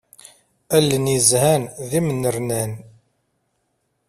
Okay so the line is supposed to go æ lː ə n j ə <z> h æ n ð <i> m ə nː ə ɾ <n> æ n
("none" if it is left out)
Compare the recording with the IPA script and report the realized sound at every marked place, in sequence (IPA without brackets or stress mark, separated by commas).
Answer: z, i, n